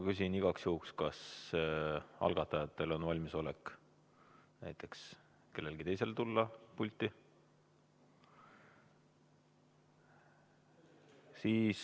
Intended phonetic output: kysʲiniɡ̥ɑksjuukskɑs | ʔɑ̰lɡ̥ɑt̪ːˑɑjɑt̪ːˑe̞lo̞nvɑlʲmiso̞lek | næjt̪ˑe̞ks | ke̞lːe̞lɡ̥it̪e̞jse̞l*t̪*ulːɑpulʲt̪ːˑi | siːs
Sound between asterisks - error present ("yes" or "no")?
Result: no